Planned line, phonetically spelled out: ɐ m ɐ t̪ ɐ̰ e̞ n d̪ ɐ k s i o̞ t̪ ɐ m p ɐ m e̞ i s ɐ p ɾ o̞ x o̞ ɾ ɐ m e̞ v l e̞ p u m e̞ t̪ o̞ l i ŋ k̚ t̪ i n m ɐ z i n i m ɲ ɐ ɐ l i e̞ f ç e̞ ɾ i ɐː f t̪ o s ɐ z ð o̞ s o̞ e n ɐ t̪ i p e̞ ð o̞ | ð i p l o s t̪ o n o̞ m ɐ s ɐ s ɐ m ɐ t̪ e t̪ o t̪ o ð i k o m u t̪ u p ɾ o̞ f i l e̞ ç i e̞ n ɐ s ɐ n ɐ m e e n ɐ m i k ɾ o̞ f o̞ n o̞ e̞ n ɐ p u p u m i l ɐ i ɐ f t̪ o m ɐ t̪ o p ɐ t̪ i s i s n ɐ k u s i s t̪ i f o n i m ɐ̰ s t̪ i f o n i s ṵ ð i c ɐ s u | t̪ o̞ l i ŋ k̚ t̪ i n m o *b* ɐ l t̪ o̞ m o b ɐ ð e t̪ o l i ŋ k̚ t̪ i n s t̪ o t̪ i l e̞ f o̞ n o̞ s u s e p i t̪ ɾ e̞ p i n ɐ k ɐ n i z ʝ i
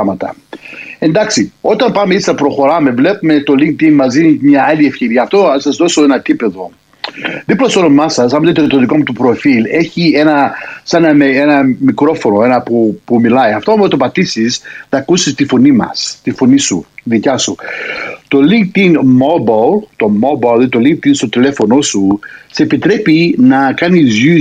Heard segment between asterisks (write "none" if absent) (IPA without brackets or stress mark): b